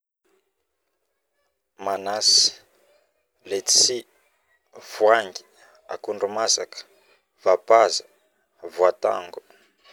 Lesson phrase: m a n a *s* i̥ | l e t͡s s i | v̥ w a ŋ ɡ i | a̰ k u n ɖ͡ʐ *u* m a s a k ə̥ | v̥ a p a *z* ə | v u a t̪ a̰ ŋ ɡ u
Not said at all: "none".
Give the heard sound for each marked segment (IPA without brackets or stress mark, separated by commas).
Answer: s, u, z